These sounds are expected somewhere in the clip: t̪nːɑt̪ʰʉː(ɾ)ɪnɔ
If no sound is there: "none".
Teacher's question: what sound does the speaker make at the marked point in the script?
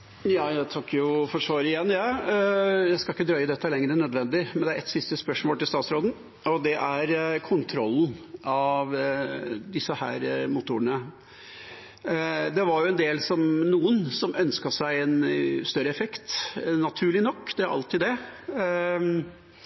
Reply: ɭ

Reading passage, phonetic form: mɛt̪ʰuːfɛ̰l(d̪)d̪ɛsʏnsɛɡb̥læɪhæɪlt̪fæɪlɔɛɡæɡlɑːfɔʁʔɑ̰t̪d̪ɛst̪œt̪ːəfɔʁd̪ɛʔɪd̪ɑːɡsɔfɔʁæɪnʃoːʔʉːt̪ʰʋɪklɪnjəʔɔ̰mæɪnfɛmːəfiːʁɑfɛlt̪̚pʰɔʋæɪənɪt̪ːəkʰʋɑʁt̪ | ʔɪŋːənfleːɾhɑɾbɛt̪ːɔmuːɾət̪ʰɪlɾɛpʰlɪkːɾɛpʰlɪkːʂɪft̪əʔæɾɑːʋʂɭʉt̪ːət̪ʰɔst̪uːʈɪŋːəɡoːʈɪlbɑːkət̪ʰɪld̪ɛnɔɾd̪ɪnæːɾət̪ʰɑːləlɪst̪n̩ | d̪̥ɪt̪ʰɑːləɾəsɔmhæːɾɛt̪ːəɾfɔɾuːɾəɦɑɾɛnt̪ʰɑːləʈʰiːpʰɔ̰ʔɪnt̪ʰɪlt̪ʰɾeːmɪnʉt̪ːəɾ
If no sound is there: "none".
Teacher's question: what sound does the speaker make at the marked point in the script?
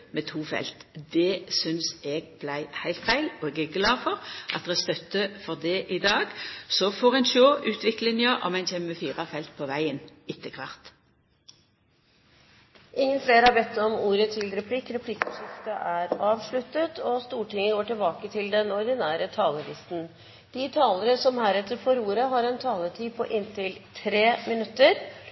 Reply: t̪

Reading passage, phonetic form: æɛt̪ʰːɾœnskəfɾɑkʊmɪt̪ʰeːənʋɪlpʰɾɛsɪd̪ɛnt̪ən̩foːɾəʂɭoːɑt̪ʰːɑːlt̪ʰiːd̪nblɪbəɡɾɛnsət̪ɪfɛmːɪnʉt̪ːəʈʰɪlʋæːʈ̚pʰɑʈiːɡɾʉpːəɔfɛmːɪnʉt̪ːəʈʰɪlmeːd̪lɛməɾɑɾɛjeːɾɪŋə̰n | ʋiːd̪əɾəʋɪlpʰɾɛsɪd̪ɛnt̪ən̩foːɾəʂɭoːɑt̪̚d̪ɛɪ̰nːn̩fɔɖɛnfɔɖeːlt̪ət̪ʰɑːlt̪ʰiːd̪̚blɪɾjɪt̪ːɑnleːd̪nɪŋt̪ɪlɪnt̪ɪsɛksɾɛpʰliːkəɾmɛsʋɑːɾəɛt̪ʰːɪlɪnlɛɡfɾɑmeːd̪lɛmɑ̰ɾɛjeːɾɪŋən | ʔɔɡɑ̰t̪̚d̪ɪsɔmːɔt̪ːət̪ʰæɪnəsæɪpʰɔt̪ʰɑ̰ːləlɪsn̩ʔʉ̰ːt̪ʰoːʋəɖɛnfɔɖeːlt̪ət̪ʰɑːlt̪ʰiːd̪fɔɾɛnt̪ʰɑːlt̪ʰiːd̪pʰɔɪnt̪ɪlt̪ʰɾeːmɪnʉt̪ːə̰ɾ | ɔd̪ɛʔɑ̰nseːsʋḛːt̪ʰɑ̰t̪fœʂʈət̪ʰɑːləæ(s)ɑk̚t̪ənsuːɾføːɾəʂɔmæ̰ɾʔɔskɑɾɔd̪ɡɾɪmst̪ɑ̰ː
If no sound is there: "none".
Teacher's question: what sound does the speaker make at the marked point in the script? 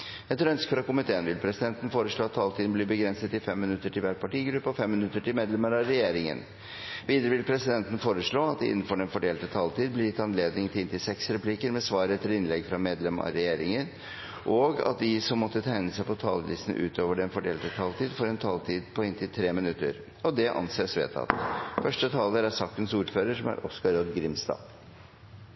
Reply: s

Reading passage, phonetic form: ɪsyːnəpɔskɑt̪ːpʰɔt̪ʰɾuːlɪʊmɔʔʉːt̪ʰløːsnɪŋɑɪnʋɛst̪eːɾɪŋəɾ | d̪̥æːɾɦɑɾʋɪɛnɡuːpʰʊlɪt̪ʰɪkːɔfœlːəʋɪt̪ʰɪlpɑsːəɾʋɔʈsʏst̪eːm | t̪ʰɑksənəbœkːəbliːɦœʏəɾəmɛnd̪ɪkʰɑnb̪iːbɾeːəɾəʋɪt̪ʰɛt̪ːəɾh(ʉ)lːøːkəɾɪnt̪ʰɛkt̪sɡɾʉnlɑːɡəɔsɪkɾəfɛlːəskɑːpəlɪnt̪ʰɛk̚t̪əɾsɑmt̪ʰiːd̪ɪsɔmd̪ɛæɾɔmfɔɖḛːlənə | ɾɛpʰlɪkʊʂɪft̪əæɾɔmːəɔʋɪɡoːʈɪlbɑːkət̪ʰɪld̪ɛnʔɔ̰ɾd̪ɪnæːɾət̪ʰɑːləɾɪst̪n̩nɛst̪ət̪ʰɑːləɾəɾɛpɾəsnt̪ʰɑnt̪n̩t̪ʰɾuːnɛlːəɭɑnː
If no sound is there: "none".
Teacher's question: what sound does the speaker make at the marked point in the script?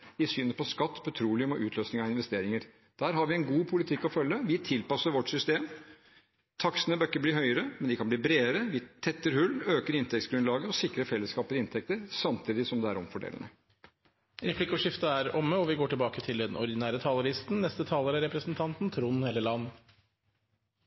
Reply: ʉ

